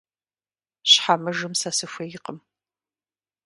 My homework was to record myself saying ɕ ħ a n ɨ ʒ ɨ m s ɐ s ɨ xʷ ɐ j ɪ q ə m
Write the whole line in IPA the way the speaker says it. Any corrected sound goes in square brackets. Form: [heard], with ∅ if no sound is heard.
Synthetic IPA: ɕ ħ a [m] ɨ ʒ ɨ m s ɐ s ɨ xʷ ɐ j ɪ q ə m